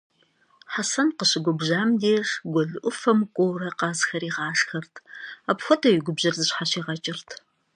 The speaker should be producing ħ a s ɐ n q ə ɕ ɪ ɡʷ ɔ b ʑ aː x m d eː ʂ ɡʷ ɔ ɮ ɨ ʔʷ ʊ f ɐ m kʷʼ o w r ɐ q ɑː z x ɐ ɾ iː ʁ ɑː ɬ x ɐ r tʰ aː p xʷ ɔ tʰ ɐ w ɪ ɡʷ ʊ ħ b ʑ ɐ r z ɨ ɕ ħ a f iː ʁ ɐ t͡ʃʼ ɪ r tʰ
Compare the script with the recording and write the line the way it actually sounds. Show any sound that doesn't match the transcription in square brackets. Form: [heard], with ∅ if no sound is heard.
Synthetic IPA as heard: ħ a s ɐ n q ə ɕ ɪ ɡʷ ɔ b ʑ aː [∅] m d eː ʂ ɡʷ ɔ ɮ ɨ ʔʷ ʊ f ɐ m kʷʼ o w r ɐ q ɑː z x ɐ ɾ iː ʁ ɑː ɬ x ɐ r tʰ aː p xʷ ɔ tʰ ɐ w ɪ ɡʷ ʊ [∅] b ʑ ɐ r z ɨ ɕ ħ a [ɕ] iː ʁ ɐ t͡ʃʼ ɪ r tʰ